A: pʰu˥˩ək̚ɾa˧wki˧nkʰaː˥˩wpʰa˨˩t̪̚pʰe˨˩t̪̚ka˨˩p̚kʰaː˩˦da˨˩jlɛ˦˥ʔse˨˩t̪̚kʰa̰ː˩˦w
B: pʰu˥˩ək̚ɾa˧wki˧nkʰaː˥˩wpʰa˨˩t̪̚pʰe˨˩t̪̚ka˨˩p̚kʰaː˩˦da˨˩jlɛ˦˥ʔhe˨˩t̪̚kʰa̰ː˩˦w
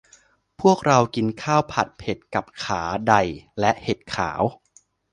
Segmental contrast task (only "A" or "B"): B